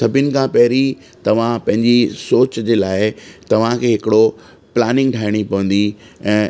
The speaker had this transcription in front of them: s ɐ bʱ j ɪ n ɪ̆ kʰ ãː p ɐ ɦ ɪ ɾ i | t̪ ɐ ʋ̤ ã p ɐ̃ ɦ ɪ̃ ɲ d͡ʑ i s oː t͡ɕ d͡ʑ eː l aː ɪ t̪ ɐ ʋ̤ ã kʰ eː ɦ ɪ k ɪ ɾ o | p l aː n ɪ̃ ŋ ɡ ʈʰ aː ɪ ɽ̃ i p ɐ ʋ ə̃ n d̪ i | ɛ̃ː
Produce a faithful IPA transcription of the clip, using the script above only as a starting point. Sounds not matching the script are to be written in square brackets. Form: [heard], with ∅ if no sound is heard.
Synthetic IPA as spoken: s ɐ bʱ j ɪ n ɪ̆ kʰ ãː p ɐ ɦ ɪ ɾ i | t̪ ɐ ʋ̤ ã p ɐ̃ ɦ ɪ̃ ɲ d͡ʑ i s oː t͡ɕ d͡ʑ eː l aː ɪ t̪ ɐ ʋ̤ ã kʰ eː ɦ ɪ k ɪ [ɽ] o | p l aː n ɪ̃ ŋ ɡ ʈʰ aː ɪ ɽ̃ i p ɐ ʋ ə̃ n d̪ i | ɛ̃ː